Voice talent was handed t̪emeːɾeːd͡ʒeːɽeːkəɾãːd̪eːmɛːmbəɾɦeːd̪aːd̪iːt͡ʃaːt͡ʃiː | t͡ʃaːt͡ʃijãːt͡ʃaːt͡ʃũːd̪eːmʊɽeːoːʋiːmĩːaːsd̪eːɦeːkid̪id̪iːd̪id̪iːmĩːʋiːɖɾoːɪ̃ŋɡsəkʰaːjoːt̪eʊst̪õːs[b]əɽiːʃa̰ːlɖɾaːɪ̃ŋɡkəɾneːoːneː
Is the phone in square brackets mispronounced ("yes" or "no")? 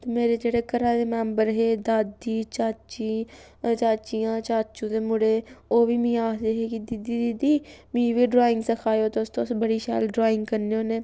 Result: no